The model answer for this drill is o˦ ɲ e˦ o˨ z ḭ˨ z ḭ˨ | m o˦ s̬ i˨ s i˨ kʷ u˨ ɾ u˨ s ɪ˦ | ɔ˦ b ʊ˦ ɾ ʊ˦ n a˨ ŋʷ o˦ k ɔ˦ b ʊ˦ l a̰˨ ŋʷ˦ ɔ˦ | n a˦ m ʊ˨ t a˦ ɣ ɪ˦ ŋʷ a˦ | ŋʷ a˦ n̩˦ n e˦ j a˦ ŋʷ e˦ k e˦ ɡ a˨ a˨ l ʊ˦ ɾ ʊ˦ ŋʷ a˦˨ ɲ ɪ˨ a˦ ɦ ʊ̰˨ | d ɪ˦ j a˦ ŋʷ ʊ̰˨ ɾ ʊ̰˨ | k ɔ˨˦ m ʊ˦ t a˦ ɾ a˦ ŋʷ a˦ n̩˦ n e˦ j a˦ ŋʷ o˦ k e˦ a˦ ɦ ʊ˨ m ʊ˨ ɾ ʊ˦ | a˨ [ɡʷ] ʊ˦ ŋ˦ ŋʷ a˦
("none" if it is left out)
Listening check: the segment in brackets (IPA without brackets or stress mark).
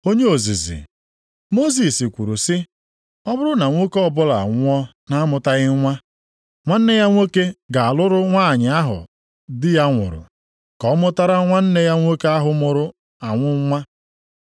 ŋʷ